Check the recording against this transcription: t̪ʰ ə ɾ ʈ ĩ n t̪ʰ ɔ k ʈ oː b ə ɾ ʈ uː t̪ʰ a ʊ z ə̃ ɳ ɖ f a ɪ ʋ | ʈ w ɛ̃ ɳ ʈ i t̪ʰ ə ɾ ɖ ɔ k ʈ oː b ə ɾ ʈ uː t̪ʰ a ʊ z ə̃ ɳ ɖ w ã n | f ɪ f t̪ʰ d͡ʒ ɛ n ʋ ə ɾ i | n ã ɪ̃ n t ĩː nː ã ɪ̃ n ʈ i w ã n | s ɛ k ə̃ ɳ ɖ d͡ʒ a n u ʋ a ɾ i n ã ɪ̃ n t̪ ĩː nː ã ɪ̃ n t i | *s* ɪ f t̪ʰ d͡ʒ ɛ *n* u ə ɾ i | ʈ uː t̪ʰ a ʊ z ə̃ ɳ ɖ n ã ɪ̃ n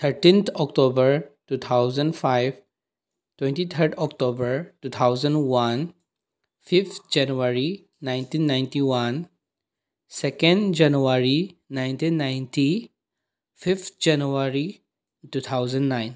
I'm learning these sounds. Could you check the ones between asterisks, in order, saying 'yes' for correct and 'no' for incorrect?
no, yes

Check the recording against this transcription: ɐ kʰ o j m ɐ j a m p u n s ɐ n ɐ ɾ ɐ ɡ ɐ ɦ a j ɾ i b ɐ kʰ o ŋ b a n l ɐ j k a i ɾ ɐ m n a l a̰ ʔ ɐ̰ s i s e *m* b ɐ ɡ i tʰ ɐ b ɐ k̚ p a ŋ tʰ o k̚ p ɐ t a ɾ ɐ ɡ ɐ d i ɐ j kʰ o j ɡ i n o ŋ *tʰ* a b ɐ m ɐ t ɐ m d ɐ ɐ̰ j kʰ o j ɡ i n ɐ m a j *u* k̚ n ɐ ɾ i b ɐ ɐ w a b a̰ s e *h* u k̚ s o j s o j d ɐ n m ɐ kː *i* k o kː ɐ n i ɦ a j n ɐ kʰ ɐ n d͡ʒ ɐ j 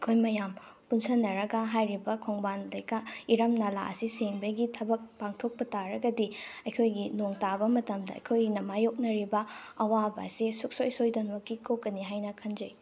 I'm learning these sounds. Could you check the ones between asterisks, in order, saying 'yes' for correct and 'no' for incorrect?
no, no, no, no, yes

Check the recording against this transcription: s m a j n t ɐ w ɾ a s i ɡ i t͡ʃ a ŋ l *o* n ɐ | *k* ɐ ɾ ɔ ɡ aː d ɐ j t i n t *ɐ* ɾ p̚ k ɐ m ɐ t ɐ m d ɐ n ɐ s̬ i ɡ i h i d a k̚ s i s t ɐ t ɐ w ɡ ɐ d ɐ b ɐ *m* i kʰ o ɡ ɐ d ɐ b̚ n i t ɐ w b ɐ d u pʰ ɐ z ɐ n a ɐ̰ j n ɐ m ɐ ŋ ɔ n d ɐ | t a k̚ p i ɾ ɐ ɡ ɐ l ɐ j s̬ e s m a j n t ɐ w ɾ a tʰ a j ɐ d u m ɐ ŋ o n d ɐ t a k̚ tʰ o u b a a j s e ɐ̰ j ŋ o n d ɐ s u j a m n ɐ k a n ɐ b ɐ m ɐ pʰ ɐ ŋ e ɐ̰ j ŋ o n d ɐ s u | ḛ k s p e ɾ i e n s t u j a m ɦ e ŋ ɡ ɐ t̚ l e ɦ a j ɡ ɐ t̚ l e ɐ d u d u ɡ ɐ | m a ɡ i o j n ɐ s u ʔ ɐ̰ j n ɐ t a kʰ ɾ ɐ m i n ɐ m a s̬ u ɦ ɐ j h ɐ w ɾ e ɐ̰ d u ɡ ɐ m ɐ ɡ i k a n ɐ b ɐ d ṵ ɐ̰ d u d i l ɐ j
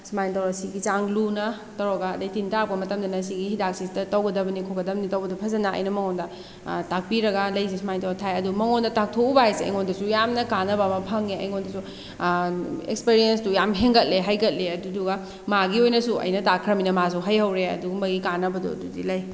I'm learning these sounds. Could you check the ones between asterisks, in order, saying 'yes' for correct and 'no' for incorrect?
no, no, no, no

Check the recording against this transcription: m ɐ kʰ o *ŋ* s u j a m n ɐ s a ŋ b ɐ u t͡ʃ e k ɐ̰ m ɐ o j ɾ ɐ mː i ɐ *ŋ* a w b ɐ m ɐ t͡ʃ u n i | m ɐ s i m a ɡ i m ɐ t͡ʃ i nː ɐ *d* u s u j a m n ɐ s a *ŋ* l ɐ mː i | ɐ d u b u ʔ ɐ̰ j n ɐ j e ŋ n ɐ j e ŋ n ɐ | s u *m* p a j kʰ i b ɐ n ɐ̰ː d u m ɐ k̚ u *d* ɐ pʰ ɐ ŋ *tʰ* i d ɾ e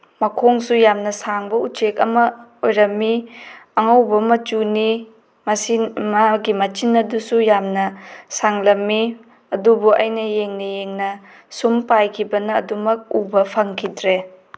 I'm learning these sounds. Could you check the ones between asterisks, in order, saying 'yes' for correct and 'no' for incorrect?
yes, yes, yes, yes, yes, no, no

